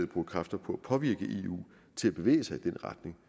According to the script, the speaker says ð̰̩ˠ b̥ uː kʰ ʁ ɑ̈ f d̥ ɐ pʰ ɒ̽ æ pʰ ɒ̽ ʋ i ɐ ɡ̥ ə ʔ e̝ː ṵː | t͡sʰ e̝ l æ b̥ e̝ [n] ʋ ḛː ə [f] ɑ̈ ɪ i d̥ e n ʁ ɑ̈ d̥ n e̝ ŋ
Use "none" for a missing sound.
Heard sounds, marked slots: none, s

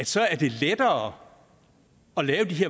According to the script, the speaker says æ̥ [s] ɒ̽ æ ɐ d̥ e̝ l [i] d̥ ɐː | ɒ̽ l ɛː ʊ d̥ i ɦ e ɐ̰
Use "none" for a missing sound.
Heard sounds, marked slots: s, e

